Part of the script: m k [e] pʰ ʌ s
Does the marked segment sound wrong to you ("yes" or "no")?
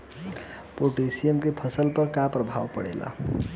no